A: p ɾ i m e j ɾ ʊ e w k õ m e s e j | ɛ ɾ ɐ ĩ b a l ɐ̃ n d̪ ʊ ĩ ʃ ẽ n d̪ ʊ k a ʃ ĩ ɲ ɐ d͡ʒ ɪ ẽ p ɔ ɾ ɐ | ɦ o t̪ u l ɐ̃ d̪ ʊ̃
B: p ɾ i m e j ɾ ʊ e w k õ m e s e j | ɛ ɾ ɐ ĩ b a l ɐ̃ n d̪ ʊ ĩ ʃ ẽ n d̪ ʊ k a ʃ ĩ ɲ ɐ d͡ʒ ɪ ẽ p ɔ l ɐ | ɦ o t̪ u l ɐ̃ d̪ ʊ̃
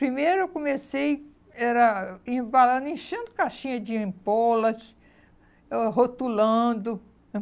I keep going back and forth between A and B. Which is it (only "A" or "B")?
B